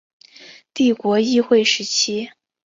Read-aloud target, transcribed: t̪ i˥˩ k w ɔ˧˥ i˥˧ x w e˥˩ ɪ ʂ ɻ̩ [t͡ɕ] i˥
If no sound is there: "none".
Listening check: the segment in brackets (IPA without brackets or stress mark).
t͡ɕʰ